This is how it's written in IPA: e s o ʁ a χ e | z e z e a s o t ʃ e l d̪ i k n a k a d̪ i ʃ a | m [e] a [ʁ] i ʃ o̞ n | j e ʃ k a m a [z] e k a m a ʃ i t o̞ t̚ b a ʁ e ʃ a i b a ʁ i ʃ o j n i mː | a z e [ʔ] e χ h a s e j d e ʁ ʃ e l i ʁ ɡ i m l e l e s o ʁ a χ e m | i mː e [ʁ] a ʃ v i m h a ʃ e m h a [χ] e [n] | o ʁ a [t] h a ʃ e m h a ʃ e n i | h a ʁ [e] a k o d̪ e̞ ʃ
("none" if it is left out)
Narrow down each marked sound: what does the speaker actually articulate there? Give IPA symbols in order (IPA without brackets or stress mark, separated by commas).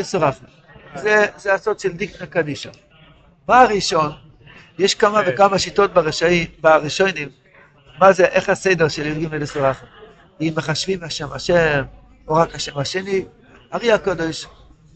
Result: a, ʁ, v, ʔ, χ, ʃ, m, k, i